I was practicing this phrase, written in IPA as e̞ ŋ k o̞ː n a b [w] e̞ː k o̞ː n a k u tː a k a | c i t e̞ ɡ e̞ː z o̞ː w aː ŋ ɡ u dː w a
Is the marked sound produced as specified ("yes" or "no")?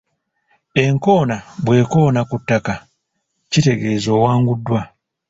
yes